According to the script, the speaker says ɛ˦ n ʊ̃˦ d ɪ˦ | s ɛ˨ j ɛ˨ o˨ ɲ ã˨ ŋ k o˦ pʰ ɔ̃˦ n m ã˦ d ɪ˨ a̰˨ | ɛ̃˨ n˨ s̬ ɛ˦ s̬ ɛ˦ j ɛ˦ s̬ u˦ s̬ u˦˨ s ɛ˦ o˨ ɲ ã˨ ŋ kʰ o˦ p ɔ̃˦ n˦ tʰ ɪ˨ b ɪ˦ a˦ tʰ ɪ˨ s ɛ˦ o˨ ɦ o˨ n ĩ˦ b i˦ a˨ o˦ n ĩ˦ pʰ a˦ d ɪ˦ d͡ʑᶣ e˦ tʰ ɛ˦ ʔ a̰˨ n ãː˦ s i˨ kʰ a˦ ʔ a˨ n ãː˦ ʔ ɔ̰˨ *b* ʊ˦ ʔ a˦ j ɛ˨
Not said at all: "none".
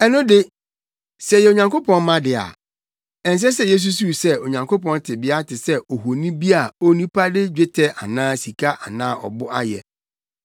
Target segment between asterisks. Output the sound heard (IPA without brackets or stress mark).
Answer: b